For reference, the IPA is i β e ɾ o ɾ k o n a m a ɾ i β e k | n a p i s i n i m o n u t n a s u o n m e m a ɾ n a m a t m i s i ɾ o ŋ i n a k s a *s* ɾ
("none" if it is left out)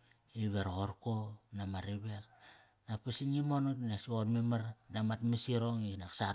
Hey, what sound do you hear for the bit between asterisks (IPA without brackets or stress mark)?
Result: none